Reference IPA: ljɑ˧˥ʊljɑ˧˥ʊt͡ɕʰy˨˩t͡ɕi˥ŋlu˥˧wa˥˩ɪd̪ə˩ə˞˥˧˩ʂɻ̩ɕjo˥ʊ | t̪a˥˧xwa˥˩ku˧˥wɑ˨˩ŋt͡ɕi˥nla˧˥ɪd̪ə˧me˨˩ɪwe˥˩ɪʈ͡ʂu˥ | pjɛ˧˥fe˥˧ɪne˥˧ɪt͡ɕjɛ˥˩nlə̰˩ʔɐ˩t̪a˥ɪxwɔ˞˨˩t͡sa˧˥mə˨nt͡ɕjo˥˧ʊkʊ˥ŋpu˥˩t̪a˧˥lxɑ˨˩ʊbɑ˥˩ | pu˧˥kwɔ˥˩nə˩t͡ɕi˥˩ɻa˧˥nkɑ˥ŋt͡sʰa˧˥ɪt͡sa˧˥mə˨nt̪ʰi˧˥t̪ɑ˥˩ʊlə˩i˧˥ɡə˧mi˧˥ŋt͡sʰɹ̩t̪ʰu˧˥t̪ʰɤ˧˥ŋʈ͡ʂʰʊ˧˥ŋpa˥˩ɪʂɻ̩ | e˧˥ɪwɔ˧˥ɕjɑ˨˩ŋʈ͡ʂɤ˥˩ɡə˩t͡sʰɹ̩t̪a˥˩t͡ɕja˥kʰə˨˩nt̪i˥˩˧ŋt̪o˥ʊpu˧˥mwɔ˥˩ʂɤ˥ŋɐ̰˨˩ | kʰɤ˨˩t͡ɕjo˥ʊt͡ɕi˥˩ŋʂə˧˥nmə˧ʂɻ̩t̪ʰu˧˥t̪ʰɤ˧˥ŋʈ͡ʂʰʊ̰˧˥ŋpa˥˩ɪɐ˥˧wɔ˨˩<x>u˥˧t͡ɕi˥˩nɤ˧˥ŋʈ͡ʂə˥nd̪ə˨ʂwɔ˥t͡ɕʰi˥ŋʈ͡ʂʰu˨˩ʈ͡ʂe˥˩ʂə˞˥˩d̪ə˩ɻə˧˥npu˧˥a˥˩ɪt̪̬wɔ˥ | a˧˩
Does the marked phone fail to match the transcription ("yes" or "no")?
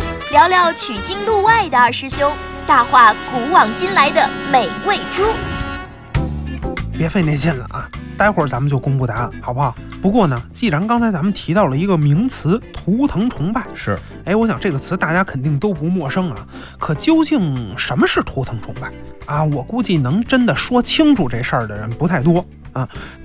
yes